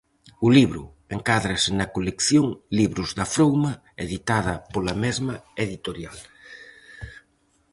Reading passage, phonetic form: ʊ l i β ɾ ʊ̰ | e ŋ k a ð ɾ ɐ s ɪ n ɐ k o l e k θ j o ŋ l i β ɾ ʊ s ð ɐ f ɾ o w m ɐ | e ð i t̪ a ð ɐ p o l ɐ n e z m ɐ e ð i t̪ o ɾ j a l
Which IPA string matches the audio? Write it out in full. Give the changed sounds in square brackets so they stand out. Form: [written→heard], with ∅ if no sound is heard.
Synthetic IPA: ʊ l i β ɾ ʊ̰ | e ŋ k a ð ɾ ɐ s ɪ n ɐ k o l e k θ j o ŋ l i β ɾ ʊ [s→z] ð ɐ f ɾ o w m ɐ | e ð i t̪ a ð ɐ p o l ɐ [n→m] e z m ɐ e ð i t̪ o ɾ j a l